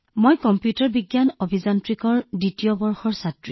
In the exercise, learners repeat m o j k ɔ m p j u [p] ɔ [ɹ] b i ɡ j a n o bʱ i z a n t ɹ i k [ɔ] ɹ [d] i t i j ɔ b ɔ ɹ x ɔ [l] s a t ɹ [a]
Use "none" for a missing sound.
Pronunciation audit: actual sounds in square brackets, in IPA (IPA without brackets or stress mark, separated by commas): t, ɹ, ɔ, d, ɹ, i